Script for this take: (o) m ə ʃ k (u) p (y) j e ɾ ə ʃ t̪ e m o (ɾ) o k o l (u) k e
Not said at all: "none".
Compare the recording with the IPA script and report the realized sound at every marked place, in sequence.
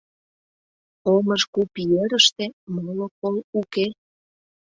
o, u, i, l, u

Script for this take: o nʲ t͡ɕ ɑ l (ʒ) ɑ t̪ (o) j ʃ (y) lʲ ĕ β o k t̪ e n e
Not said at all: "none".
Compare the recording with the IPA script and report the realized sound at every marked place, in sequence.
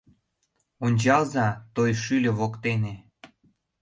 z, o, y

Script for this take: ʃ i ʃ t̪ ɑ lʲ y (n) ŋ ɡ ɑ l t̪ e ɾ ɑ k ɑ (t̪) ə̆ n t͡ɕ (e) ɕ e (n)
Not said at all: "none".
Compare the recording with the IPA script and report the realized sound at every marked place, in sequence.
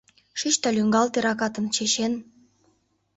none, t̪, e, n

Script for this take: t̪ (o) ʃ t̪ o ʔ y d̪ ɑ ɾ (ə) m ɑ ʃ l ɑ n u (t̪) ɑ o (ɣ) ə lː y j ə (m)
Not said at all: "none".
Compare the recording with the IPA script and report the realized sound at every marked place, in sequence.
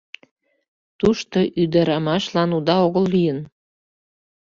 u, ɑ, d̪, ɣ, n

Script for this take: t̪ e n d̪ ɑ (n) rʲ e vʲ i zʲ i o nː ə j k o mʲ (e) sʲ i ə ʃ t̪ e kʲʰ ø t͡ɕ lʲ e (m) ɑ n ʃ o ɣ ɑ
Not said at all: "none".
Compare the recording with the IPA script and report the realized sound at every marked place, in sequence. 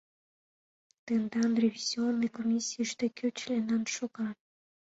n, i, n

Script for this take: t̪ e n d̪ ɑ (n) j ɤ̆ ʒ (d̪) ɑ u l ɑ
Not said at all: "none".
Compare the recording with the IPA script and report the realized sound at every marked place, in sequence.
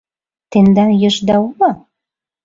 n, d̪

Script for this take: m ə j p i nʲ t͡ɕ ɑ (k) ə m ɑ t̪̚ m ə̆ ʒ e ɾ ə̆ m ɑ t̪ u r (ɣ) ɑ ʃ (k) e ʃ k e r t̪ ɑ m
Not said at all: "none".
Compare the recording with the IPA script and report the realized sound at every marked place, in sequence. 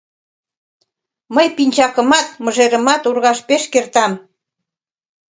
k, ɣ, p

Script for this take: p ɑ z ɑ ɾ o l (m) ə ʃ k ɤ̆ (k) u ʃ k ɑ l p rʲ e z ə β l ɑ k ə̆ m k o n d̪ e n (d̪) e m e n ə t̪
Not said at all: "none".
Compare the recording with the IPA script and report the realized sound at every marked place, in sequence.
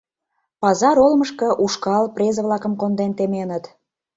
m, ʔ, t̪

